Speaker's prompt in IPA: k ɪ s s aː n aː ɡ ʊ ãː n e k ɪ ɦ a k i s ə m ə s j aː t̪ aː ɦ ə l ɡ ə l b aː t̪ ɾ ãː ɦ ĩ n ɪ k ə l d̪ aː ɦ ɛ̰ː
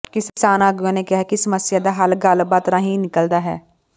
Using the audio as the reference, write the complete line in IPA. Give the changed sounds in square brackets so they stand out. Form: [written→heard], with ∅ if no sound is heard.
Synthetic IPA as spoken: k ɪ s s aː n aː ɡ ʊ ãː n e k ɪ ɦ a k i s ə m ə s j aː [t̪→d̪] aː ɦ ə l ɡ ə l b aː t̪ ɾ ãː ɦ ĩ n ɪ k ə l d̪ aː ɦ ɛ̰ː